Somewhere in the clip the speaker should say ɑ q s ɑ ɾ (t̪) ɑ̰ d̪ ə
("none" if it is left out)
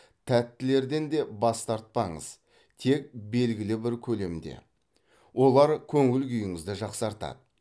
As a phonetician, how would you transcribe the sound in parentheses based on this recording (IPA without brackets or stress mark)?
t̪